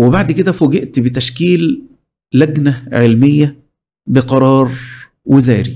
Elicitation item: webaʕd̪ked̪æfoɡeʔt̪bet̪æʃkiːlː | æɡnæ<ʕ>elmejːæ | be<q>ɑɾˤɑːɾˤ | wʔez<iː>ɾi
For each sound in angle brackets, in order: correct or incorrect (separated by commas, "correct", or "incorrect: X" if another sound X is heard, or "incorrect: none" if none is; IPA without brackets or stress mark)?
correct, correct, incorrect: æː